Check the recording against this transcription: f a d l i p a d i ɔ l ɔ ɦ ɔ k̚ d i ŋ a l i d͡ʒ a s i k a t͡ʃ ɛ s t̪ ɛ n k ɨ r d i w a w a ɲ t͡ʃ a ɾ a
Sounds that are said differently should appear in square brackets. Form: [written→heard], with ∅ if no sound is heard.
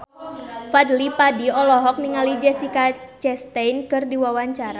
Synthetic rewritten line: f a d l i p a d i ɔ l ɔ ɦ ɔ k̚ [d→n] i ŋ a l i d͡ʒ [a→ɛ] s i k a t͡ʃ ɛ s t̪ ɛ n k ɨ r d i w a w a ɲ t͡ʃ a ɾ a